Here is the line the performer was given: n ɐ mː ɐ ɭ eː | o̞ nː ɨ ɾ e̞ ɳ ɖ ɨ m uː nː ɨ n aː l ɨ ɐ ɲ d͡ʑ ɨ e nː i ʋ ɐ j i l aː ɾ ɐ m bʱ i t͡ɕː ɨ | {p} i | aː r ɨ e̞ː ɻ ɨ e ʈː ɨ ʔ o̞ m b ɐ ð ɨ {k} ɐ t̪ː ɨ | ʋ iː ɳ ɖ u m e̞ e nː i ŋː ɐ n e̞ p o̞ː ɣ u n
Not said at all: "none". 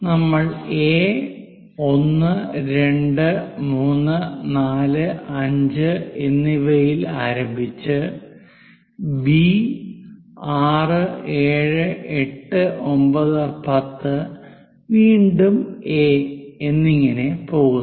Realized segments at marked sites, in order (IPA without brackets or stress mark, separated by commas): b, p